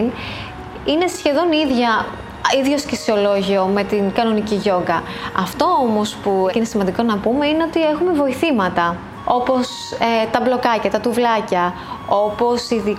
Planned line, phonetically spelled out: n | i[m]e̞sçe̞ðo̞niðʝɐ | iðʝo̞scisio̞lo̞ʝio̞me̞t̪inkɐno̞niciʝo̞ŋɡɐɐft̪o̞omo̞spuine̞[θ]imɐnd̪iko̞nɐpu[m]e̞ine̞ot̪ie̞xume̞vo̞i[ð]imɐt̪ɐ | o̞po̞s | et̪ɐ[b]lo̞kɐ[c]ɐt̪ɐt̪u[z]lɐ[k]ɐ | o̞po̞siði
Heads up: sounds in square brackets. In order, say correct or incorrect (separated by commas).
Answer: incorrect, incorrect, correct, incorrect, correct, correct, incorrect, incorrect